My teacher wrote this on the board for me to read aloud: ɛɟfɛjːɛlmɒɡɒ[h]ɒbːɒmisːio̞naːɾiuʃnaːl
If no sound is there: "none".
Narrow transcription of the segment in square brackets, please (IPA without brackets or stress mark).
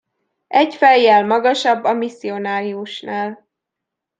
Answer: ʃ